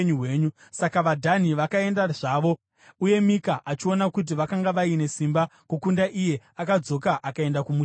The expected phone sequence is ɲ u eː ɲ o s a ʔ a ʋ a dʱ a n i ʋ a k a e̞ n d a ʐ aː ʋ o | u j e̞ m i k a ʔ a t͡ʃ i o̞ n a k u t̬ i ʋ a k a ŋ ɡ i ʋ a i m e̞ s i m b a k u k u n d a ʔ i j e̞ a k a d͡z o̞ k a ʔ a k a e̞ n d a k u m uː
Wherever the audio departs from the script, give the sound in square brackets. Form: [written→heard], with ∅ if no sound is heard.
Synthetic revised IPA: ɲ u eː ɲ [o→u] s a [ʔ→k] a ʋ a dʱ a n i ʋ a k a e̞ n d a ʐ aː ʋ o | u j e̞ m i k a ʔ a t͡ʃ i o̞ n a k u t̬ i ʋ a k a ŋ ɡ [i→a] ʋ a i [m→n] e̞ s i m b a k u k u n d a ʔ i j e̞ a k a d͡z o̞ k a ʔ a k a e̞ n d a k u m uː